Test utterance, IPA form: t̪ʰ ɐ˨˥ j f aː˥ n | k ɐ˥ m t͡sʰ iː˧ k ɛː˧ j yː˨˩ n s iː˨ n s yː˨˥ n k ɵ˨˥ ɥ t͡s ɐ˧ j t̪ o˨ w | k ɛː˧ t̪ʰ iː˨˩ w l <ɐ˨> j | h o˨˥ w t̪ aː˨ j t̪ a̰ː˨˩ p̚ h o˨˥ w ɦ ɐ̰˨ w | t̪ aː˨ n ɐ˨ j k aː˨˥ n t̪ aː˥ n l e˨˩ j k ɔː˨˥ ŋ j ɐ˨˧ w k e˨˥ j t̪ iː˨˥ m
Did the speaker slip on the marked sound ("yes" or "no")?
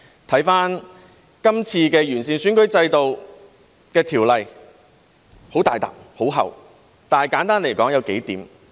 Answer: no